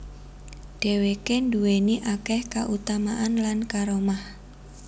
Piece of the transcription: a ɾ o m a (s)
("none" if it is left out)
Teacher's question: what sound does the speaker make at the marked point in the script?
h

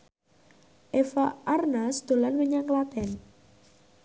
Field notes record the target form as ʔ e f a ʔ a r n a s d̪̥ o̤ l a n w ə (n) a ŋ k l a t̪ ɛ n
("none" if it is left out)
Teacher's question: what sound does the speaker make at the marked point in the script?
ɲ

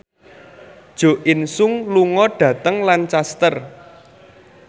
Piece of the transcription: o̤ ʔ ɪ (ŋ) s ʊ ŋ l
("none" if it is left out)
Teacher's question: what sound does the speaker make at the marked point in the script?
n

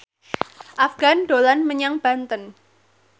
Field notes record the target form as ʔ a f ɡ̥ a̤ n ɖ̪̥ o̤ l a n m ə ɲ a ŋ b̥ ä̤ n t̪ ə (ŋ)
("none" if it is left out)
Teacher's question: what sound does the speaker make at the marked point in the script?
n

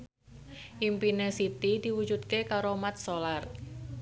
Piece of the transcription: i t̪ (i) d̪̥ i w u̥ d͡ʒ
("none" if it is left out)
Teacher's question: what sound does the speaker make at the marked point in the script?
i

